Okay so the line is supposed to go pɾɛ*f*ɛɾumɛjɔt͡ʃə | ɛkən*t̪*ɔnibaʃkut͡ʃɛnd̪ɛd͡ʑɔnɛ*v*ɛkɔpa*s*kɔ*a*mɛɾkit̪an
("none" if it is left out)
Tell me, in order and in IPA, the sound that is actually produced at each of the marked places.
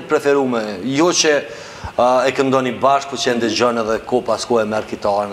f, d̪, ð, s, ɛ

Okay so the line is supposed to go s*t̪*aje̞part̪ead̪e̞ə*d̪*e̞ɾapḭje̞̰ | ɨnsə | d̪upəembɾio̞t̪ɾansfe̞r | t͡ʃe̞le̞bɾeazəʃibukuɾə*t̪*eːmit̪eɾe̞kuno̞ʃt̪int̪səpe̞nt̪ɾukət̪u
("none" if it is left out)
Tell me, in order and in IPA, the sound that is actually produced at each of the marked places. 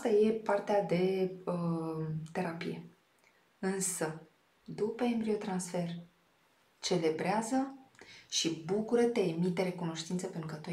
t̪, t̪, t̪

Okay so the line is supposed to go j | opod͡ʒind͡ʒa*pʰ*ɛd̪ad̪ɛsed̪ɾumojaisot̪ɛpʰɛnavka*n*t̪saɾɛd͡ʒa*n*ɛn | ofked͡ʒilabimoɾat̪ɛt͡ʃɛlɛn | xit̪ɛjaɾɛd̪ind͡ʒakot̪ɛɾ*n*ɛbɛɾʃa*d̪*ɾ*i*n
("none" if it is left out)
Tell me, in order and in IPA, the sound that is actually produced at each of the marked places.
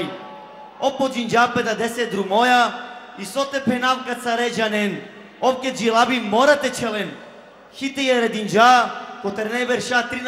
p, none, n, n, t̪, i

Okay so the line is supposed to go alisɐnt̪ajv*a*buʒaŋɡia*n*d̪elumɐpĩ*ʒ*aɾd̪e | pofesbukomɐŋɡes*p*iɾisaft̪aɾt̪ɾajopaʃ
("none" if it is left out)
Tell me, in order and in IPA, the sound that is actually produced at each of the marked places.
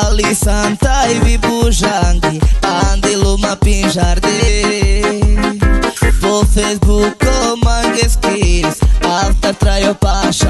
i, n, ʒ, k

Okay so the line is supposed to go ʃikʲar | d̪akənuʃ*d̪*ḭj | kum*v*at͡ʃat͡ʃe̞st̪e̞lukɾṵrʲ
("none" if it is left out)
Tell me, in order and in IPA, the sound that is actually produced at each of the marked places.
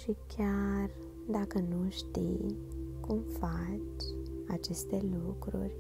t̪, f

